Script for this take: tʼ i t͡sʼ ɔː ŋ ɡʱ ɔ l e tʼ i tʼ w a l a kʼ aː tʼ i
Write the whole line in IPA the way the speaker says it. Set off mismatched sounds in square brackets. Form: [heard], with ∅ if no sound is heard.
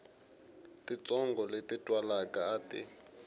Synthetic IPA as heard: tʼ i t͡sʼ [ɔ] ŋ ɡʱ ɔ l e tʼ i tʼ w a l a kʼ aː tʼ i